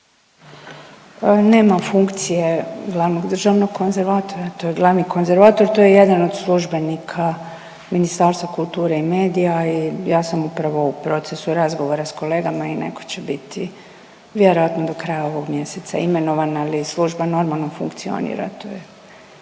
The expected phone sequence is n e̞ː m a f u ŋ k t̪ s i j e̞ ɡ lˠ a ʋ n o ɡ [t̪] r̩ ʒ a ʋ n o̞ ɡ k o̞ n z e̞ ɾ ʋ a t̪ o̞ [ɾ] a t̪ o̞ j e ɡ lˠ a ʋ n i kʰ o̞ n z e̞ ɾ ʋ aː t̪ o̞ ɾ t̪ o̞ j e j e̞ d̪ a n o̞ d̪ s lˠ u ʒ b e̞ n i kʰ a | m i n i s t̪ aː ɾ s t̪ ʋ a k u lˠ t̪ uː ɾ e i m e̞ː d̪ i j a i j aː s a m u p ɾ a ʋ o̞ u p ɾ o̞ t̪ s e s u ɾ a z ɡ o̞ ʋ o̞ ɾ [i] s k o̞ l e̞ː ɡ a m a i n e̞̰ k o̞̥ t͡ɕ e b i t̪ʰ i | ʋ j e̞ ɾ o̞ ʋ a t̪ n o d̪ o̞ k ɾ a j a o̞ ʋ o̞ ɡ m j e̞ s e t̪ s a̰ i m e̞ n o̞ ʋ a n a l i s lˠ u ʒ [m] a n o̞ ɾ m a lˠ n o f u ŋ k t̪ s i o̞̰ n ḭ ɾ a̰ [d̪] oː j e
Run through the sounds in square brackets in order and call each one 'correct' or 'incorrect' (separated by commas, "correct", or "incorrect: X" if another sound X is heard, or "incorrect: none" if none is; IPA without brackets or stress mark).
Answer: incorrect: d̪, correct, incorrect: a, incorrect: b, incorrect: t̪